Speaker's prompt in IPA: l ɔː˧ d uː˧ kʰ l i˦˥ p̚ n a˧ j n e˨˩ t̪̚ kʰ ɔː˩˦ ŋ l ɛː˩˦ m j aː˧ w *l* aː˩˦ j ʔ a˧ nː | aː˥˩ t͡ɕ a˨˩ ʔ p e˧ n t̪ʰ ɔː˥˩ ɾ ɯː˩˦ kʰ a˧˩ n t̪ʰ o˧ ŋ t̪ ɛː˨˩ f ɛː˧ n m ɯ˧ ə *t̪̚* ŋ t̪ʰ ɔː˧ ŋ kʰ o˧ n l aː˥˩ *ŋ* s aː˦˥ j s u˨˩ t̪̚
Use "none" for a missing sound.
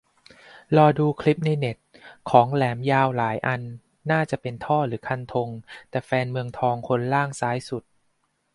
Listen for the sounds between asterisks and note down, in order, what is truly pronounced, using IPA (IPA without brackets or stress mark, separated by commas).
l, none, ŋ